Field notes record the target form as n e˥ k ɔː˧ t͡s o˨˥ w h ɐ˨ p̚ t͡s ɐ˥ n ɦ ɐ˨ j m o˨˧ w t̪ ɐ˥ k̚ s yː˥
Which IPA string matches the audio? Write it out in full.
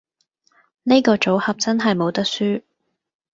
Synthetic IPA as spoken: n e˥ k ɔː˧ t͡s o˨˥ w h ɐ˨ p̚ t͡s ɐ˥ n ɦ ɐ˨ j m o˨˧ w t̪ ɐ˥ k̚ s yː˥